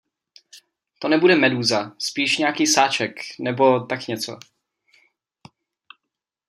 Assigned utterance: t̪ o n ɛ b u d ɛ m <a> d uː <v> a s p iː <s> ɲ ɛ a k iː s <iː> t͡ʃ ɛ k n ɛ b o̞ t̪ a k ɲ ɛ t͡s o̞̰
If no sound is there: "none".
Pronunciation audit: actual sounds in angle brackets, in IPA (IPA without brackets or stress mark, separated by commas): ɛ, z, ʃ, aː